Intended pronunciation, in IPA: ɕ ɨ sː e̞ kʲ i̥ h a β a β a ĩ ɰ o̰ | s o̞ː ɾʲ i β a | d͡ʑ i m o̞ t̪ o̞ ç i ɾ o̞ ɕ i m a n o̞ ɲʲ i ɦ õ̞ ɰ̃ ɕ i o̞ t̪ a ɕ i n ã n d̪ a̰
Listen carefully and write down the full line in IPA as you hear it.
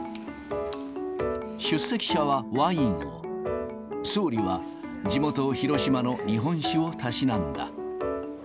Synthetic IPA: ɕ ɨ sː e̞ kʲ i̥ ɕ a β a β a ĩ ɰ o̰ | s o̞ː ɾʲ i β a | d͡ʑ i m o̞ t̪ o̞ ç i ɾ o̞ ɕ i m a n o̞ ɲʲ i ɦ õ̞ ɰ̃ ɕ i o̞ t̪ a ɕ i n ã n d̪ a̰